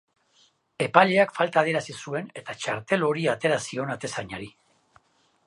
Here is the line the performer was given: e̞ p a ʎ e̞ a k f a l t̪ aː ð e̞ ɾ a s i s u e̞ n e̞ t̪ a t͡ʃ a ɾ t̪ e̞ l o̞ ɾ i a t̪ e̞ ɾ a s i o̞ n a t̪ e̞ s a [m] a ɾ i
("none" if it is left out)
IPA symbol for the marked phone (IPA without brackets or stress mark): ɲ